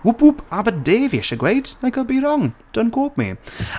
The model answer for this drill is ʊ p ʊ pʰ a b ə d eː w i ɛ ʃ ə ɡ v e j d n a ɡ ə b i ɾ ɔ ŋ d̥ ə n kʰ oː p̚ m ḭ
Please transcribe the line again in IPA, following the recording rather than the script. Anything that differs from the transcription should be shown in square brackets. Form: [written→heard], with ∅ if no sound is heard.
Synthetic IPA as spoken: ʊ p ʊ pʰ a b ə d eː [w→v] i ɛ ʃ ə ɡ [v→w] e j d n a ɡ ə b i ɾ ɔ ŋ d̥ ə n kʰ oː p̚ m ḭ